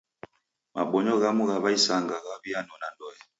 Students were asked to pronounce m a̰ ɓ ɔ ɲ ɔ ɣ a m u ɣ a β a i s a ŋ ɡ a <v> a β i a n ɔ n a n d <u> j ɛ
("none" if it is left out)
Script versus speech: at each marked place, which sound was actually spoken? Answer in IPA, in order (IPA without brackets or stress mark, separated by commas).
ɣ, ɔ